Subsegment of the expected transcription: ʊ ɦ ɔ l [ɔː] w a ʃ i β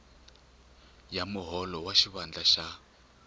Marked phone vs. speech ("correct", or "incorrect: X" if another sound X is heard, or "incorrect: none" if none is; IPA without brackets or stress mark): incorrect: ɔ